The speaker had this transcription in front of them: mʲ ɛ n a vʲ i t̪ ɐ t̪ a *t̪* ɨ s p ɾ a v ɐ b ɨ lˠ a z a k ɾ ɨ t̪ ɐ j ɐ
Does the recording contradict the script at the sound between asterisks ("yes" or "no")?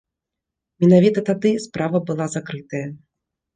yes